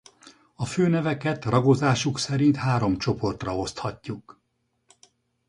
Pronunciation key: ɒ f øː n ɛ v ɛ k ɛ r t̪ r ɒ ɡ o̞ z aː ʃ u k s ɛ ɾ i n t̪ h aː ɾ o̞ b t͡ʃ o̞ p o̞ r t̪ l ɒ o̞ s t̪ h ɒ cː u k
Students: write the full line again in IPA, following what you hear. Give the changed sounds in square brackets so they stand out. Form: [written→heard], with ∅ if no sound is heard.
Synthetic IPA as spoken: ɒ f øː n ɛ v ɛ k ɛ [r→∅] t̪ r ɒ ɡ o̞ z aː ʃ u k s ɛ ɾ i n t̪ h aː ɾ o̞ [b→m] t͡ʃ o̞ p o̞ r t̪ [l→r] ɒ o̞ s t̪ h ɒ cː u k